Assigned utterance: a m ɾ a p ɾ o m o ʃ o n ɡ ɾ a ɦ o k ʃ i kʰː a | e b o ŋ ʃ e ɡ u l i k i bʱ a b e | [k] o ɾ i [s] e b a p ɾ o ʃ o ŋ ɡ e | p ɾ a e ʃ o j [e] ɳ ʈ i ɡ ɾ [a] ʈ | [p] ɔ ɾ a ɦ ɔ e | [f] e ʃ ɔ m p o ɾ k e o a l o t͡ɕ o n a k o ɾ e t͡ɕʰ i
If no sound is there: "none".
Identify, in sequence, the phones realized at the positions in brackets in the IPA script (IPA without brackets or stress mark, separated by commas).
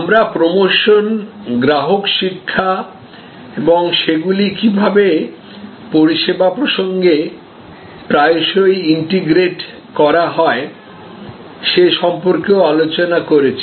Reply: p, ʃ, i, e, k, ʃ